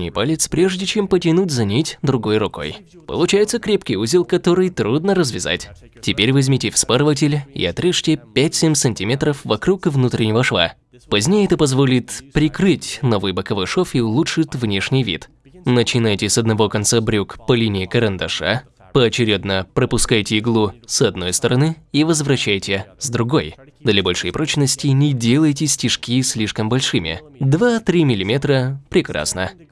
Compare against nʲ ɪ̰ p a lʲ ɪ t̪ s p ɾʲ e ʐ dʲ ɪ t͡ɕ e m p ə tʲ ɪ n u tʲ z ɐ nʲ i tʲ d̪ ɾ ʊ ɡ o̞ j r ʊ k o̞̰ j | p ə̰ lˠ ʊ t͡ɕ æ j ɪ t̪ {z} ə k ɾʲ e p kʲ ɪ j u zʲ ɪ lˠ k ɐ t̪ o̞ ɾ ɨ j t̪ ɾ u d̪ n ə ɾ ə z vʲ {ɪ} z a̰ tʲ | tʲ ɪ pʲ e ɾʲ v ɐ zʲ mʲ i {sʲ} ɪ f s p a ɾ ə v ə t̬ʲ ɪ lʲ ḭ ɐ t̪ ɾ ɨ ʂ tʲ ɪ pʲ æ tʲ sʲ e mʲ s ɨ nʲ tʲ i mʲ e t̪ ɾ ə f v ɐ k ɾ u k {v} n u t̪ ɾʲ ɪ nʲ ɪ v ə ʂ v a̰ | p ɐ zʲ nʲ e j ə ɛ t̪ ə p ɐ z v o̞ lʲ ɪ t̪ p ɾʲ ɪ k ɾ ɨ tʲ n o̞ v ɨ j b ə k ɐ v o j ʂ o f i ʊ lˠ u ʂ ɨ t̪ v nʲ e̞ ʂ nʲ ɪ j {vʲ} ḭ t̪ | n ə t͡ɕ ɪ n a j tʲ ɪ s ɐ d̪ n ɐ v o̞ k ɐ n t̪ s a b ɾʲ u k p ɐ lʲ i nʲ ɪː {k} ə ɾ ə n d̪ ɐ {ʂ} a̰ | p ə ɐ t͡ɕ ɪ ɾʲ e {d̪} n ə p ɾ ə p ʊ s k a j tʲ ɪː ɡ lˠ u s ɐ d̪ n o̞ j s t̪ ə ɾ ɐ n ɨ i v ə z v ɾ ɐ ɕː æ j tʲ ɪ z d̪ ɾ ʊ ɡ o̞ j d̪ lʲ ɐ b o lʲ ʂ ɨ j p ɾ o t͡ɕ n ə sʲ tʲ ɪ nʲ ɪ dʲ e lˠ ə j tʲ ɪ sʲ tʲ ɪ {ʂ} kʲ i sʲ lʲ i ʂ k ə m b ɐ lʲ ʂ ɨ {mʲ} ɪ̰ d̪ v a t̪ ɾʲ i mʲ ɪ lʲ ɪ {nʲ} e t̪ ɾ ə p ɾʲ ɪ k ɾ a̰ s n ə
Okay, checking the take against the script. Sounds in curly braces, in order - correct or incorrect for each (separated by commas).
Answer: incorrect, correct, incorrect, correct, correct, correct, correct, correct, correct, correct, incorrect